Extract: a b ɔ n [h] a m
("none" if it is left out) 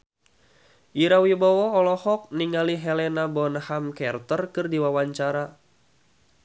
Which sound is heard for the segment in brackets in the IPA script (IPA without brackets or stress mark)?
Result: h